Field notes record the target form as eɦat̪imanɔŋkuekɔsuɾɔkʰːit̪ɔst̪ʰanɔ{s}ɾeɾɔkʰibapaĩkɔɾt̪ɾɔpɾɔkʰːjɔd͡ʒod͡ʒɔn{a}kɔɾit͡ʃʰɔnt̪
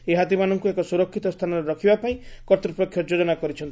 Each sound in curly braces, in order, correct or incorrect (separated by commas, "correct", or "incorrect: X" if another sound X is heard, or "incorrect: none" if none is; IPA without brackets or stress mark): incorrect: none, correct